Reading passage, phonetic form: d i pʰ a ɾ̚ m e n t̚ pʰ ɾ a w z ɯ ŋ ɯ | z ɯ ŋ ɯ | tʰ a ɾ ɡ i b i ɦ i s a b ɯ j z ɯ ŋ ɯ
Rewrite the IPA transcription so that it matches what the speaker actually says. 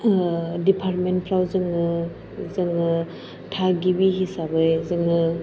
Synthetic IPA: d i pʰ a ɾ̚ m e n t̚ pʰ ɾ a w z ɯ ŋ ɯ | z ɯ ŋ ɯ | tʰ a ɡ i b i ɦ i s a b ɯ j z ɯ ŋ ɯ